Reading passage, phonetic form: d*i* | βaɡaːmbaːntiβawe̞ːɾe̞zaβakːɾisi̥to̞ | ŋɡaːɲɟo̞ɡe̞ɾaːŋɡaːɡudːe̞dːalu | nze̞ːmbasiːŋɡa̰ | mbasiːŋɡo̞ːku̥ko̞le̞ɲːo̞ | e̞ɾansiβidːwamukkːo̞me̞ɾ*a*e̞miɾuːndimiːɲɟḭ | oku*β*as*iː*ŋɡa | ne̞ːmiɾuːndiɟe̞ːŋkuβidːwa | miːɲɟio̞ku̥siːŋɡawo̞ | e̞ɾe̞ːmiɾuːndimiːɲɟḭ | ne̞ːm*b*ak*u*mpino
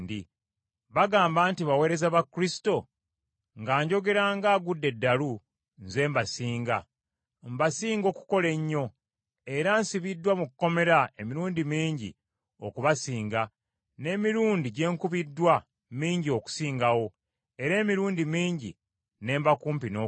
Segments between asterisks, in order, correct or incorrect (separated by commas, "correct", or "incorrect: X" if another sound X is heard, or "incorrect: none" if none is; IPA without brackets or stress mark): correct, correct, correct, correct, correct, incorrect: uː